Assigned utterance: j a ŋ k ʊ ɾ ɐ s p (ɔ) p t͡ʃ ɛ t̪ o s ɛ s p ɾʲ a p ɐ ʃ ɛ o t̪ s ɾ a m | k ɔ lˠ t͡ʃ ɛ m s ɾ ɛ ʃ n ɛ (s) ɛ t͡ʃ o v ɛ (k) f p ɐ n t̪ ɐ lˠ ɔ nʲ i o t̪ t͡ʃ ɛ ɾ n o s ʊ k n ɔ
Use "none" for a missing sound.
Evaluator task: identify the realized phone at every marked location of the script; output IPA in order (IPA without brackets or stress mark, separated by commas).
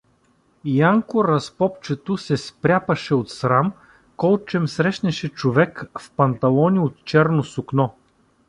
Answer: ɔ, ʃ, k